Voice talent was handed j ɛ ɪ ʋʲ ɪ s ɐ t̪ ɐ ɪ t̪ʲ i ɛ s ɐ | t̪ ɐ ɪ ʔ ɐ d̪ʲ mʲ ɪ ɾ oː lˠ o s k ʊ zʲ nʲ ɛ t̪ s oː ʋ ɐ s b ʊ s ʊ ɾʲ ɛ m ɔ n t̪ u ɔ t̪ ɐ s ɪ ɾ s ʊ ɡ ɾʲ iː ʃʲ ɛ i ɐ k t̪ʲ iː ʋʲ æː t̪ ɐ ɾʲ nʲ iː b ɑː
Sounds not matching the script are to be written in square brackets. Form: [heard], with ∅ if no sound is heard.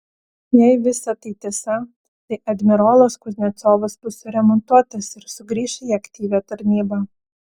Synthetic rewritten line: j ɛ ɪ ʋʲ ɪ s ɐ t̪ ɐ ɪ t̪ʲ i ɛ s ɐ | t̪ ɐ ɪ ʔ ɐ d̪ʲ mʲ ɪ ɾ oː lˠ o s k ʊ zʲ nʲ ɛ t̪ s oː ʋ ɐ s b ʊ s ʊ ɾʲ ɛ m ɔ n t̪ u ɔ t̪ ɐ s ɪ ɾ s ʊ ɡ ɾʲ iː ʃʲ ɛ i ɐ k t̪ʲ iː ʋʲ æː t̪ ɐ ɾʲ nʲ iː b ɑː